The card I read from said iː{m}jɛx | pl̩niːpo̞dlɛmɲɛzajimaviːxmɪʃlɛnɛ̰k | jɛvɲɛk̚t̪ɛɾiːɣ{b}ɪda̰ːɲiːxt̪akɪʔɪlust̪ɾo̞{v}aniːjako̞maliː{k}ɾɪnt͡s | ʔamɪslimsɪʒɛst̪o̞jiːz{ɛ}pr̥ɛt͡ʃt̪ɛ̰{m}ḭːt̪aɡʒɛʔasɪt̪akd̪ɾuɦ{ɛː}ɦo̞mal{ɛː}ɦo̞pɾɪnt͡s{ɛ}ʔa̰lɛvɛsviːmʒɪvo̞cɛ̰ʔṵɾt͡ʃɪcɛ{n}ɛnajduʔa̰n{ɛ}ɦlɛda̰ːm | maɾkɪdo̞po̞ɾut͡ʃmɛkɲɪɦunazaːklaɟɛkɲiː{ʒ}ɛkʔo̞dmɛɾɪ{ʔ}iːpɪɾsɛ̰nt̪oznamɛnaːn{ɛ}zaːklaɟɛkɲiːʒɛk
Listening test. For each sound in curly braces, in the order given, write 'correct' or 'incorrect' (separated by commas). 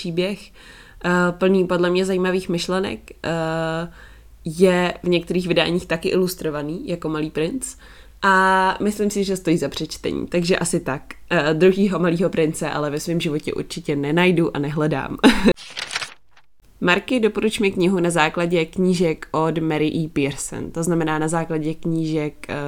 incorrect, incorrect, correct, incorrect, incorrect, incorrect, incorrect, incorrect, correct, correct, correct, correct, correct, incorrect